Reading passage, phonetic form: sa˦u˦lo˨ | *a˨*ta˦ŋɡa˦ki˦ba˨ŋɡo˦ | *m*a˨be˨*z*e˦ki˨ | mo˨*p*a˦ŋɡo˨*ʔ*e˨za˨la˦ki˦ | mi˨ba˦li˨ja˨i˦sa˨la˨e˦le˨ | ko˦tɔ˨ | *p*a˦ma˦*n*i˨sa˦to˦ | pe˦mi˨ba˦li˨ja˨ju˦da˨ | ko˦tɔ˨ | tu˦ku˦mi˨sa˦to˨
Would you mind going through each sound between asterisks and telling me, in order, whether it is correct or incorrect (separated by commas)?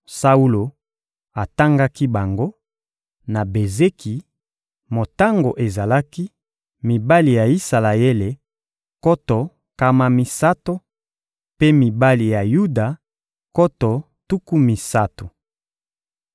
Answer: correct, incorrect, correct, incorrect, correct, incorrect, incorrect